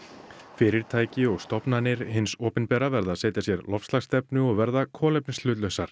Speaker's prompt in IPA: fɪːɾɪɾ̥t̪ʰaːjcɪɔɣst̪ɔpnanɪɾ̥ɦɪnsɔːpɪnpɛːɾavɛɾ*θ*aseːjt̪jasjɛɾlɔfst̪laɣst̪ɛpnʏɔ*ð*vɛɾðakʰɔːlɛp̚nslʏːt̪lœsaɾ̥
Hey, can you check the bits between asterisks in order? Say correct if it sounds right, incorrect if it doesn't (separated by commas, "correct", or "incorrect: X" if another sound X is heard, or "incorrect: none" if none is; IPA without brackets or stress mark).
incorrect: ð, incorrect: ɣ